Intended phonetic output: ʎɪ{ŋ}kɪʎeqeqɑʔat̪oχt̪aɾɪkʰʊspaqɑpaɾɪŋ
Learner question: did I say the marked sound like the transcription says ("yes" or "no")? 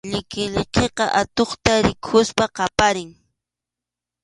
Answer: no